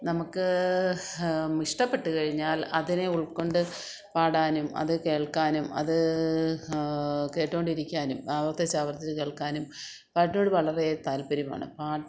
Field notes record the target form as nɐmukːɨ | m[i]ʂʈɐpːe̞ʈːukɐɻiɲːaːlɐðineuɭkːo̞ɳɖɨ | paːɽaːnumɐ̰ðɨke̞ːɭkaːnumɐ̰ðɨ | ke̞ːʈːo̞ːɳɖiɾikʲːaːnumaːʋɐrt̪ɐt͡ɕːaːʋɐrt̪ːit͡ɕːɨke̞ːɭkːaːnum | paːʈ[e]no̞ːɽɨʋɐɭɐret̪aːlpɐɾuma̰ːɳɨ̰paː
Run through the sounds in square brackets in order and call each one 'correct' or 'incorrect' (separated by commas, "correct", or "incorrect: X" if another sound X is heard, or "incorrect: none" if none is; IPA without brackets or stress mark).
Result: correct, incorrect: i